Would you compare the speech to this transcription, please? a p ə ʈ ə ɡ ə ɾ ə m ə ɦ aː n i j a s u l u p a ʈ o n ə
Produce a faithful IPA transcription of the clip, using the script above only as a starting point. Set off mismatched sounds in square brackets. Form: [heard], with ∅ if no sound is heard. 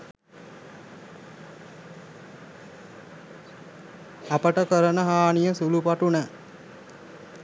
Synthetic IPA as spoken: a p ə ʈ ə [k] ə ɾ ə [n] ə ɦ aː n i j [ə] s u l u p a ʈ [u] n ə